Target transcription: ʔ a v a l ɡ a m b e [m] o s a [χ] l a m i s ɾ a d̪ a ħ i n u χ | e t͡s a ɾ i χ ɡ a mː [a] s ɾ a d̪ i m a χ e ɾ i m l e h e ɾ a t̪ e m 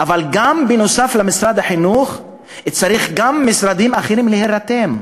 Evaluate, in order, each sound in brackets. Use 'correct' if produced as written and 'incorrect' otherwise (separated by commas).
incorrect, incorrect, incorrect